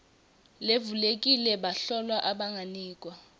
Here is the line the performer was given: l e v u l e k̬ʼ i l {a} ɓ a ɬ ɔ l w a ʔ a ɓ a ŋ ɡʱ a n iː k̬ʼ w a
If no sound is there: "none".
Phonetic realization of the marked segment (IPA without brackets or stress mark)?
ɛ